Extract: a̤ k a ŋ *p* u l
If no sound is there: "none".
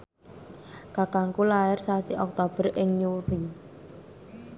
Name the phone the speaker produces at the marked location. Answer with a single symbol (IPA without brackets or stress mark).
k